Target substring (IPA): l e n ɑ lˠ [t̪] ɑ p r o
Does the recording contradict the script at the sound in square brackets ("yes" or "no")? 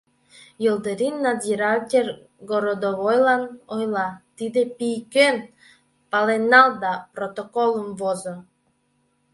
yes